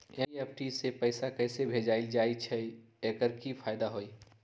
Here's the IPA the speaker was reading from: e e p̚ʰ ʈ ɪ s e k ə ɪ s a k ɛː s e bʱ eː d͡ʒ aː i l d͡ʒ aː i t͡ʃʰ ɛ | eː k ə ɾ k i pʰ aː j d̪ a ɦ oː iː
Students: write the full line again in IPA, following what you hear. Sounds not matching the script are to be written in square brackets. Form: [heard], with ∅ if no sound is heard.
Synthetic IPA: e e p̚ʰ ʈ [i] s e [p] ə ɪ s a k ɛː s e bʱ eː d͡ʒ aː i l d͡ʒ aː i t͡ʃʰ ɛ | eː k ə ɾ k i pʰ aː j d̪ a ɦ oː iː